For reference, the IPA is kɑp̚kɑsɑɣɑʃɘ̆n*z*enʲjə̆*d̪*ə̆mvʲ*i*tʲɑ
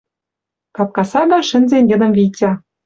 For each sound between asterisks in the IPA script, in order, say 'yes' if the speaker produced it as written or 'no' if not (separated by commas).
yes, yes, yes